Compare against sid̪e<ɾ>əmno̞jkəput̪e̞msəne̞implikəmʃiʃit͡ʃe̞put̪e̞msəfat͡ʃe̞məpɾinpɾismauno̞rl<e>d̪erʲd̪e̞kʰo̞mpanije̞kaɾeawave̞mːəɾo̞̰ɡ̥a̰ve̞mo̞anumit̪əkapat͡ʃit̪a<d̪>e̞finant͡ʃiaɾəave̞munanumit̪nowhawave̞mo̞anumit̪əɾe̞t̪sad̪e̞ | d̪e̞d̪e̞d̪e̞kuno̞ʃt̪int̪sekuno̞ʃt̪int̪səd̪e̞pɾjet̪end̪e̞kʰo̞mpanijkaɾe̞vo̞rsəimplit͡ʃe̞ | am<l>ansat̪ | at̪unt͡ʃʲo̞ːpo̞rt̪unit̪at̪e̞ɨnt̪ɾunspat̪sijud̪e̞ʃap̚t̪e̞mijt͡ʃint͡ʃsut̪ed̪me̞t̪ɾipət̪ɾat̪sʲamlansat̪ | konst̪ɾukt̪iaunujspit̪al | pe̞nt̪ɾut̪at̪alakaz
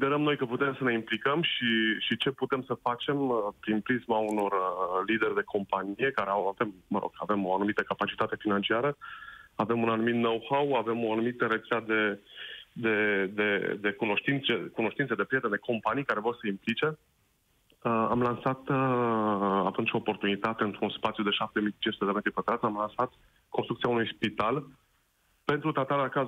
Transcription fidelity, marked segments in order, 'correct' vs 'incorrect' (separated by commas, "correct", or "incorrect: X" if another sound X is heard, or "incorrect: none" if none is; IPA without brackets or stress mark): correct, incorrect: i, incorrect: t̪, correct